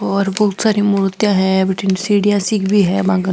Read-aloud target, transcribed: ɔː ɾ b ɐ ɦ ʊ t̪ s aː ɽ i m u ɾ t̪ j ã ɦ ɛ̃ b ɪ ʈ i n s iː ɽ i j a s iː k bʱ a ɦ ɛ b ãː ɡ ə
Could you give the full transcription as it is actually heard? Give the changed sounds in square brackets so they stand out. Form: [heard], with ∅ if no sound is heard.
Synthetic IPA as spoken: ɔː ɾ b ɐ ɦ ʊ t̪ s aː [ɾ] i m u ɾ t̪ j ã ɦ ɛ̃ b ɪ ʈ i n s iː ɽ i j a s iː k bʱ [i] ɦ ɛ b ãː ɡ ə